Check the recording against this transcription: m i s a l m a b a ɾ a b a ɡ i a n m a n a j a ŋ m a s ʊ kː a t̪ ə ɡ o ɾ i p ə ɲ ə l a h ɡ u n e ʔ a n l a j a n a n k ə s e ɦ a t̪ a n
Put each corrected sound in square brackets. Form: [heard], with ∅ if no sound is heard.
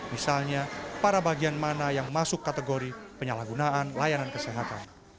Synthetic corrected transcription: m i s a l [ɲ] a [p] a ɾ a b a ɡ i a n m a n a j a ŋ m a s ʊ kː a t̪ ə ɡ o ɾ i p ə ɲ [a] l a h ɡ u n [a] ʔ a n l a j a n a n k ə s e ɦ a t̪ a n